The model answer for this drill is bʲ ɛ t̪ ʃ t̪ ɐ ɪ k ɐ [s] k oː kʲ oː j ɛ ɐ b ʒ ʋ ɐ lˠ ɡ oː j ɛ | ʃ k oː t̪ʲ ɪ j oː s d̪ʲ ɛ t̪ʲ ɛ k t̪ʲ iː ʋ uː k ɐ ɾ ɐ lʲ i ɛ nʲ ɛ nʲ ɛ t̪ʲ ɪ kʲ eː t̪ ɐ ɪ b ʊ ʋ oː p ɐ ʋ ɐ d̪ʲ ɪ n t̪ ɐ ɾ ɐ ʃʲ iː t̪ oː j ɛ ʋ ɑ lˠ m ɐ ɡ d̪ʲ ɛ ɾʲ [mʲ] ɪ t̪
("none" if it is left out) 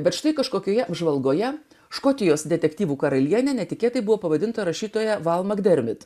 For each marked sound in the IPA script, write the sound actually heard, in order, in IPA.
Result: ʃ, mʲ

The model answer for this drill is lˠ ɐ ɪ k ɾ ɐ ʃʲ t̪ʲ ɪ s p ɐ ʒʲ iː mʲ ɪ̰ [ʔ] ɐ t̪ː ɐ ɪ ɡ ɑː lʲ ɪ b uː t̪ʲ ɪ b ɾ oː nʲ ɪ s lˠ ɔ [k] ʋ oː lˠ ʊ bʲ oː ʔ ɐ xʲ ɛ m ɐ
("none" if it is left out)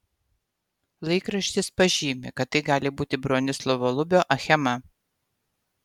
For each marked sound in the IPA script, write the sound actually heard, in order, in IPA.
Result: k, none

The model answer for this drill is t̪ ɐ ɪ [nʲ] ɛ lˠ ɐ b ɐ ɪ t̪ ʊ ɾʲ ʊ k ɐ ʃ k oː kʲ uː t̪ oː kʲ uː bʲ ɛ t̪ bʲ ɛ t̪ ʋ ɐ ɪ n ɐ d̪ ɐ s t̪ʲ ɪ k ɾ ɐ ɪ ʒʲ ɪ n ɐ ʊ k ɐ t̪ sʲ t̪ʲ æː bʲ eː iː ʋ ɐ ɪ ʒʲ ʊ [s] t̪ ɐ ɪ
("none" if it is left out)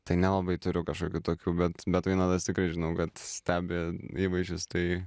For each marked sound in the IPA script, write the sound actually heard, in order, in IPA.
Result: nʲ, s

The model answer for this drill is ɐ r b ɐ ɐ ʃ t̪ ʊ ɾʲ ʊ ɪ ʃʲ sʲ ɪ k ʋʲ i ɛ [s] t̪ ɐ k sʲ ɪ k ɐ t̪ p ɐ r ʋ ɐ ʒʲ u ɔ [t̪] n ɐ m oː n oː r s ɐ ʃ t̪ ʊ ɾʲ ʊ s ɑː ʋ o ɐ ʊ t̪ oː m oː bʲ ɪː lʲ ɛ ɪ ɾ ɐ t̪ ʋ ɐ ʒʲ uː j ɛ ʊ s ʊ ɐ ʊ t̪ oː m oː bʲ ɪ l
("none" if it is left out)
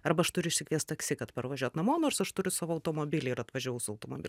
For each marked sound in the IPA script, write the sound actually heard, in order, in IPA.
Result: s, t̪

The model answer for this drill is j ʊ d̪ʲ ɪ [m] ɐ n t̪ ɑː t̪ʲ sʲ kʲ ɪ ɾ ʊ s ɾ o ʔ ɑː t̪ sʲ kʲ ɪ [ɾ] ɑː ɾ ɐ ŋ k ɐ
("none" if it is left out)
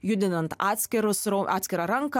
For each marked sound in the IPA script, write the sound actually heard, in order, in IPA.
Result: n, ɾ

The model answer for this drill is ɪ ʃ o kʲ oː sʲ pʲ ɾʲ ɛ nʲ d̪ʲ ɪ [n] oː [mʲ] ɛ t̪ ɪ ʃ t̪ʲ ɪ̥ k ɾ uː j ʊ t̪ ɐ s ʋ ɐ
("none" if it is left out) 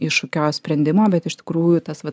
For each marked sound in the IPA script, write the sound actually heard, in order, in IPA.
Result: m, bʲ

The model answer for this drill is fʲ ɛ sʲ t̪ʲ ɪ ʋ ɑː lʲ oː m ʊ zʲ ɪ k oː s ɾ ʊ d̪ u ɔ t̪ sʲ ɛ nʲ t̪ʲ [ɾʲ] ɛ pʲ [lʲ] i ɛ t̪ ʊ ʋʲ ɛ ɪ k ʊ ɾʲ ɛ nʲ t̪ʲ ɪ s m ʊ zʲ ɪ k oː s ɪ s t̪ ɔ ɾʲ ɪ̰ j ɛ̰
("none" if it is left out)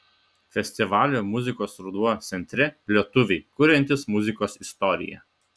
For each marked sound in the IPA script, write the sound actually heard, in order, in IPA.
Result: ɾʲ, lʲ

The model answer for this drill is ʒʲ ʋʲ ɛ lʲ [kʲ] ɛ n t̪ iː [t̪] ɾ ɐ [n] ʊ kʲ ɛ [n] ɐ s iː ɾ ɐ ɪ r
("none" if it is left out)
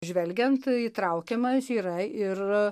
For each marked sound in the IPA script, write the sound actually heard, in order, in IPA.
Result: ɡʲ, t̪, none, m

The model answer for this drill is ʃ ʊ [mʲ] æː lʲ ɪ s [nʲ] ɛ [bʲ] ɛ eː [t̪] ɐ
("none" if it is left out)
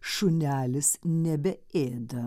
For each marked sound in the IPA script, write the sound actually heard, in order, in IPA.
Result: nʲ, nʲ, bʲ, d̪

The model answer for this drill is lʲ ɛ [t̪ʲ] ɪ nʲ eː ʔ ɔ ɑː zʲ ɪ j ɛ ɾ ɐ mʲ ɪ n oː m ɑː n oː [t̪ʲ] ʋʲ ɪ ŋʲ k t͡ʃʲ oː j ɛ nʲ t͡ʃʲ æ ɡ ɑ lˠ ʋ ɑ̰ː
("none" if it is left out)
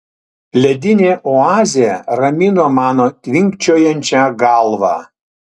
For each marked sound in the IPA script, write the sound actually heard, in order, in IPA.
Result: d̪ʲ, t̪ʲ

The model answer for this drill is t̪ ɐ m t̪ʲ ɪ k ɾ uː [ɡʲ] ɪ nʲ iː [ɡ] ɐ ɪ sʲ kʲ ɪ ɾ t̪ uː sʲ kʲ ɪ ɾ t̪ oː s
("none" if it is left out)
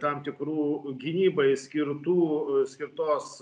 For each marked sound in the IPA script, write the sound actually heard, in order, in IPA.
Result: ɡʲ, b

